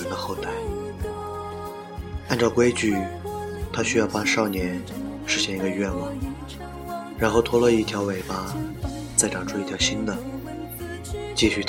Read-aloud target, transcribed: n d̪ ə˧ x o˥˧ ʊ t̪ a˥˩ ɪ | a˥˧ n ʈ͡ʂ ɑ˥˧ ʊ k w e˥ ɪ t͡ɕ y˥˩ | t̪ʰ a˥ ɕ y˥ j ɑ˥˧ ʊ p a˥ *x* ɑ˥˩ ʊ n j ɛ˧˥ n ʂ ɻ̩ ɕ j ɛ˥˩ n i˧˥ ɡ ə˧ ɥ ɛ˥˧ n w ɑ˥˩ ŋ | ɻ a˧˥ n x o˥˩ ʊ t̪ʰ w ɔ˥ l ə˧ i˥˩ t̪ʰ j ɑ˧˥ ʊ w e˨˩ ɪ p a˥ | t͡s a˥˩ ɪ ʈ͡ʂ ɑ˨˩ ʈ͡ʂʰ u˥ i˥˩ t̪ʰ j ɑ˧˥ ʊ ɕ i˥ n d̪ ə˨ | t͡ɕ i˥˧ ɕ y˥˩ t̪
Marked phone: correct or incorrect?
incorrect